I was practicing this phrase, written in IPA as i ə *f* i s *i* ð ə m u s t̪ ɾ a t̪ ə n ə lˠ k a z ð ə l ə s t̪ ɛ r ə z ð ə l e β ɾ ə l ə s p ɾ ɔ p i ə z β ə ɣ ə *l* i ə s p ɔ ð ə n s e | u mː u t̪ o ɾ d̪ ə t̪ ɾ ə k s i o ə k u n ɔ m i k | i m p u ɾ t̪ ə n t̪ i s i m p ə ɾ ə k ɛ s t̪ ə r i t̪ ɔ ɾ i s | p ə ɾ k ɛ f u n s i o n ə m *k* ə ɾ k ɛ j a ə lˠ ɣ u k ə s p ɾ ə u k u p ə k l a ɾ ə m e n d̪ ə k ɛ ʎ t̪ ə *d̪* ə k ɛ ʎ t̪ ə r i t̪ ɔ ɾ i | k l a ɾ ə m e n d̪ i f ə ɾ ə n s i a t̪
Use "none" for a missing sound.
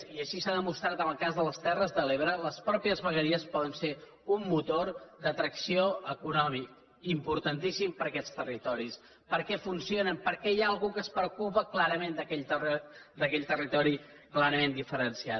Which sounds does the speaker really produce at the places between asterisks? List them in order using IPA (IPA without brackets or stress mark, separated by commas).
ʃ, a, ɾ, p, d̪